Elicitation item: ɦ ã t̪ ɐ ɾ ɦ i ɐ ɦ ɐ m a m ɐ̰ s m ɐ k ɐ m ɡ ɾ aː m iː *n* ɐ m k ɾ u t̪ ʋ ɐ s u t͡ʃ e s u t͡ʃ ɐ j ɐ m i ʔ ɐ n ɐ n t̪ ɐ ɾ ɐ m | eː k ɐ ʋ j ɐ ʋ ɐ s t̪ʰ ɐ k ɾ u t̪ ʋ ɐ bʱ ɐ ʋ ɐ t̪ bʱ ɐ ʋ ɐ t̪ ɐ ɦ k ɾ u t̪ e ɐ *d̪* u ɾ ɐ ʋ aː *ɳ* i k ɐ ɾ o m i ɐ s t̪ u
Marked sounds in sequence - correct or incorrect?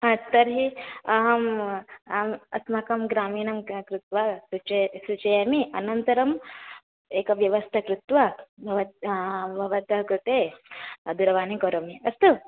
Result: correct, correct, incorrect

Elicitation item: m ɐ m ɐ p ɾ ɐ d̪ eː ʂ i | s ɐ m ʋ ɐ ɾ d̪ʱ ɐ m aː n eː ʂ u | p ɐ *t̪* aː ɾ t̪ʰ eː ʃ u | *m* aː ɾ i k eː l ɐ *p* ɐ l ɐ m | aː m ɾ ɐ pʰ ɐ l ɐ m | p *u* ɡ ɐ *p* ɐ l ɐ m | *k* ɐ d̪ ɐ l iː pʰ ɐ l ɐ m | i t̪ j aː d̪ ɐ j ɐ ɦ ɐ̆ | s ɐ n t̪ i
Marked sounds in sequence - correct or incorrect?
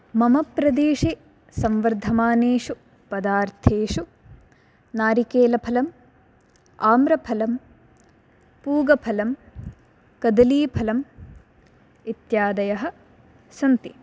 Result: incorrect, incorrect, incorrect, incorrect, incorrect, correct

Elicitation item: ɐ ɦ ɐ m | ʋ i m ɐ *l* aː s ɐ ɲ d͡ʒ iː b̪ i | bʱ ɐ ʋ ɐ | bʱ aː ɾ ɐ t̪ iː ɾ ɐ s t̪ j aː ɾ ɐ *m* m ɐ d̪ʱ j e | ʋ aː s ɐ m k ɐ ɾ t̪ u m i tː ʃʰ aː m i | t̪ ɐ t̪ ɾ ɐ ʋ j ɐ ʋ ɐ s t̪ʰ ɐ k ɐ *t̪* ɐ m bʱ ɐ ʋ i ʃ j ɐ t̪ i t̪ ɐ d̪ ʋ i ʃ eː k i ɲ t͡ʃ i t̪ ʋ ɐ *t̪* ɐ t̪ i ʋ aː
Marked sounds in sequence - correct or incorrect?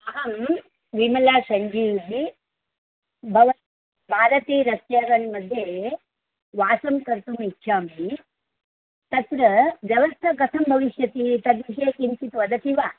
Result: correct, incorrect, incorrect, incorrect

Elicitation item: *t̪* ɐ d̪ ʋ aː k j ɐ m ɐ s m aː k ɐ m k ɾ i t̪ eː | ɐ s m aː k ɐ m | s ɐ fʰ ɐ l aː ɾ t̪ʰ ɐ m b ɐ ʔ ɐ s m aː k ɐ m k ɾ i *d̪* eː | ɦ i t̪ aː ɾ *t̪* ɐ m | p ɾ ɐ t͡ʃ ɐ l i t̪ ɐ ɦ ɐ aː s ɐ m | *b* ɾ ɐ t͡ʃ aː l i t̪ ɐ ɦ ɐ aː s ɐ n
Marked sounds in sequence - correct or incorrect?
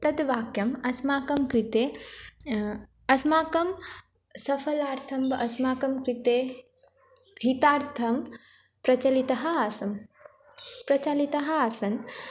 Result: correct, incorrect, incorrect, incorrect

